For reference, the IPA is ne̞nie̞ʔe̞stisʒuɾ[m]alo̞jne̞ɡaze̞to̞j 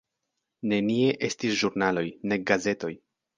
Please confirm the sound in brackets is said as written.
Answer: no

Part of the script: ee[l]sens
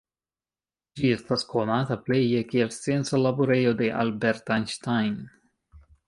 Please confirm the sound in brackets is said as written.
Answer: yes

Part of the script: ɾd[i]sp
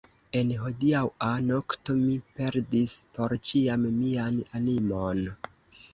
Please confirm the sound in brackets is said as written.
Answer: yes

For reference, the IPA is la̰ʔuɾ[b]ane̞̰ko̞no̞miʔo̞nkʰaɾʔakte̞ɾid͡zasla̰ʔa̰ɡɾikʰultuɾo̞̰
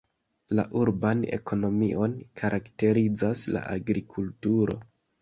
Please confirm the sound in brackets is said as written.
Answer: yes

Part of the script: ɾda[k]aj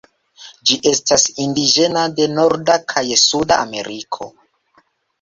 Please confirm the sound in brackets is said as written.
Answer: no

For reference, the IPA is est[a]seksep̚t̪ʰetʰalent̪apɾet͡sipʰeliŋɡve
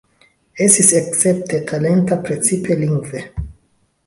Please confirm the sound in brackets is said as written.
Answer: no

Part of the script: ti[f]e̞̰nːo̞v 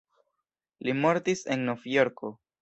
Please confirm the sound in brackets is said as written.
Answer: no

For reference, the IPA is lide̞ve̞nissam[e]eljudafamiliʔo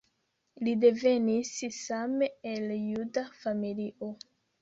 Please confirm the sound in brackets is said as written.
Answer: yes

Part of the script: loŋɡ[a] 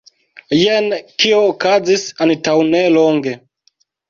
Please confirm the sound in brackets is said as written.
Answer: no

